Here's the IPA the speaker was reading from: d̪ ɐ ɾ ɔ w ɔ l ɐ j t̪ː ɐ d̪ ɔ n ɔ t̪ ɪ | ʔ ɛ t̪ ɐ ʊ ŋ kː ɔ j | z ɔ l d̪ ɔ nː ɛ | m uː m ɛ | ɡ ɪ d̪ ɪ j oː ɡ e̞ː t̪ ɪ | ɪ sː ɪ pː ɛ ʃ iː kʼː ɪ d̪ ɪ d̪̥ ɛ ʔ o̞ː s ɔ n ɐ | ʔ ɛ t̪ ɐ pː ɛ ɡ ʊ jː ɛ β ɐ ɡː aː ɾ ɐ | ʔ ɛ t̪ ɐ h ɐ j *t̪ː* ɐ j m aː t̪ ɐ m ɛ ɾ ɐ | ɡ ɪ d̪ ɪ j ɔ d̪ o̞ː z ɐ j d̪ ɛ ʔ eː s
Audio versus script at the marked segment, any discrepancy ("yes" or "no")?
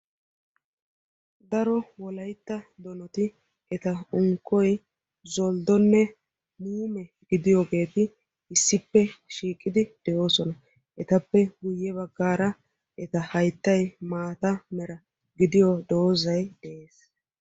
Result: no